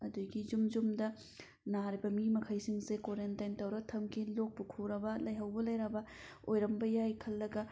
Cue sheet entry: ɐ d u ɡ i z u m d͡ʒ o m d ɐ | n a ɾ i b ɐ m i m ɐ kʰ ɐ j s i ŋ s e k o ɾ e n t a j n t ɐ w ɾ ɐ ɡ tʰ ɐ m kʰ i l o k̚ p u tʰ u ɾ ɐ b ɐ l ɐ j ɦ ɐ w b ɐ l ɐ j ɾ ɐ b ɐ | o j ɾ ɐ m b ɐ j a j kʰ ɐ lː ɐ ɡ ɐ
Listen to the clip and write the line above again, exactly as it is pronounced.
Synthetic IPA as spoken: ɐ d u ɡ i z u m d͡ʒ u m d ɐ | n a ɾ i b ɐ m i m ɐ kʰ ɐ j s i ŋ s e k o ɾ e n t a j n t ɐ w ɾ ɐ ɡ tʰ ɐ m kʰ i l o k̚ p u kʰ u ɾ ɐ b ɐ l ɐ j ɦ ɐ w b ɐ l ɐ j ɾ ɐ b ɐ | o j ɾ ɐ m b ɐ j a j kʰ ɐ lː ɐ ɡ ɐ